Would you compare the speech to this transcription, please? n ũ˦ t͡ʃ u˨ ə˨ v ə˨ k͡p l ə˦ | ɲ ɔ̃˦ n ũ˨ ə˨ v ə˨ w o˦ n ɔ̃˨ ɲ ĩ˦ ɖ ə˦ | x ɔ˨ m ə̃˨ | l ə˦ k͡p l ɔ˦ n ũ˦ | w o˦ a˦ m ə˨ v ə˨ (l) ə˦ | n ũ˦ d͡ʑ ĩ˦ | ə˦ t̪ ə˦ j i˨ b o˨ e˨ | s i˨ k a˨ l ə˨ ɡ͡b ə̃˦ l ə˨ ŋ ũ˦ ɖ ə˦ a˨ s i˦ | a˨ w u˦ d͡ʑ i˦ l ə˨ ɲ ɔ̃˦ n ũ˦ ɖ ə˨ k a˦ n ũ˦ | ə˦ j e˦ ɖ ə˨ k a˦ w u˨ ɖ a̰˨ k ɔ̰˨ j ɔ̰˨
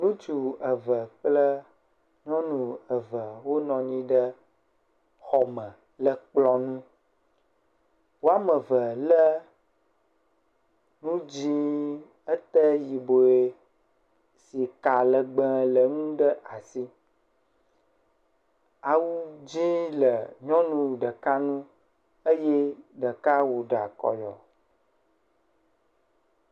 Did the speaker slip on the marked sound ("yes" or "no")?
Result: no